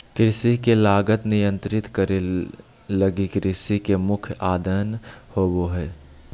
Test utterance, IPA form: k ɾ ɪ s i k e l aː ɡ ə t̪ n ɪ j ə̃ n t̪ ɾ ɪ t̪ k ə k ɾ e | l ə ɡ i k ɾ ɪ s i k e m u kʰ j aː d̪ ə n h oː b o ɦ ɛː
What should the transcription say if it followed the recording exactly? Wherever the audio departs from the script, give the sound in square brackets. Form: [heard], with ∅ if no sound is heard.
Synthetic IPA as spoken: k ɾ ɪ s i k e l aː ɡ ə t̪ n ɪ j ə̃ n t̪ ɾ ɪ t̪ k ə [∅] ɾ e | l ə ɡ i k ɾ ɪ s i k e m [ʊ] kʰ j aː d̪ ə n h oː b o ɦ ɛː